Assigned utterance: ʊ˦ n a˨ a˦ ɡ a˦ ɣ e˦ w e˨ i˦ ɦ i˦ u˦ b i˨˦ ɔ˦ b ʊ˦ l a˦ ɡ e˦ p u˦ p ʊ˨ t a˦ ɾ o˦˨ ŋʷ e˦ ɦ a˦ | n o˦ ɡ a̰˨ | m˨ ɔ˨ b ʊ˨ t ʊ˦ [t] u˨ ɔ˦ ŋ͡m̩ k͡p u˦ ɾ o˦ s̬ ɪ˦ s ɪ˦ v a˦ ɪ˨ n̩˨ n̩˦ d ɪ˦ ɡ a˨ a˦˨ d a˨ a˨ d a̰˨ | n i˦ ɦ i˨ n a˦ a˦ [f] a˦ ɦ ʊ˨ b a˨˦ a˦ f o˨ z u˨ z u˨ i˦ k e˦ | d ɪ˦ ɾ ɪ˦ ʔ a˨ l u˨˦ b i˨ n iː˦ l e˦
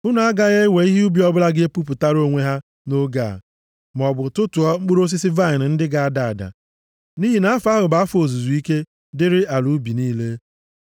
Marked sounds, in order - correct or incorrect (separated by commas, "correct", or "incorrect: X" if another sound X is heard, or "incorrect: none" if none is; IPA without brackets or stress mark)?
correct, correct